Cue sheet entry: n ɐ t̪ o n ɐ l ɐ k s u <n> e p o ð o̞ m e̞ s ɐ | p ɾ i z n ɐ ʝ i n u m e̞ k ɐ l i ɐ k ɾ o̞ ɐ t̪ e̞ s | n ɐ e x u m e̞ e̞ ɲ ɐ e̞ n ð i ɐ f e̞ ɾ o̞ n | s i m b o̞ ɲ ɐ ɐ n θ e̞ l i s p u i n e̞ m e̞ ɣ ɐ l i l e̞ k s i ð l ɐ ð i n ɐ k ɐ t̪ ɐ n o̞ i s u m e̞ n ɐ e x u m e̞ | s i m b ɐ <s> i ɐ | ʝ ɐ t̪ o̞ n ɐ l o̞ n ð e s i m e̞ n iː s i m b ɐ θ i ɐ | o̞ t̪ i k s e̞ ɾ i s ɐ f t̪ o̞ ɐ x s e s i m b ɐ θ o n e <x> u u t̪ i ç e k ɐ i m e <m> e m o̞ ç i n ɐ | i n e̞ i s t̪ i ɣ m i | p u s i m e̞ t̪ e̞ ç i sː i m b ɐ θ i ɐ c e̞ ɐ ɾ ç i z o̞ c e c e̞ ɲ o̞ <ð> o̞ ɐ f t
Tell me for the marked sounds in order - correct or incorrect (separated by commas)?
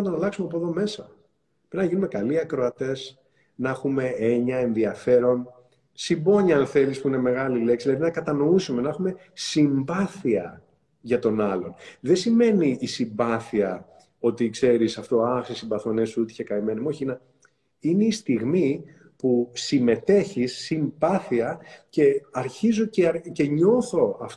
incorrect, incorrect, incorrect, incorrect, incorrect